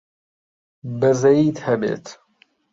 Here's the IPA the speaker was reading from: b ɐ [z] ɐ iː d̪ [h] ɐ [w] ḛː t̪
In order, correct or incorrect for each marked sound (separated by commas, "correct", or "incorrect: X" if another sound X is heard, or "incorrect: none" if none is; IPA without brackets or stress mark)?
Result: correct, correct, incorrect: b